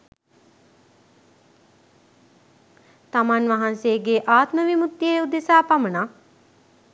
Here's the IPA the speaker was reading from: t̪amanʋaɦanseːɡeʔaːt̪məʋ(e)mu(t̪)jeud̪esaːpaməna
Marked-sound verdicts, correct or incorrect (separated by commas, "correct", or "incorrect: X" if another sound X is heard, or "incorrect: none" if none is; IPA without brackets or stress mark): incorrect: i, correct